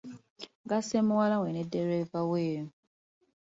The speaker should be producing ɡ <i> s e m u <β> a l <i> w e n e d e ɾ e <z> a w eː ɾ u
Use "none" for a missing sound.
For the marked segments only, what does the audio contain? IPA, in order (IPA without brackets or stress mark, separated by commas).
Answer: a, w, a, v